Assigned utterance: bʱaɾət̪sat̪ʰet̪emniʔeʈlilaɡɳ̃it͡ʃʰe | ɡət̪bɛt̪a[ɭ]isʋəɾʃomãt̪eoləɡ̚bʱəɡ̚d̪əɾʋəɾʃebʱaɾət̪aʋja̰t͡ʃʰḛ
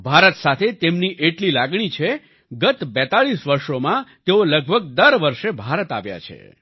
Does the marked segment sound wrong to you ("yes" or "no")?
no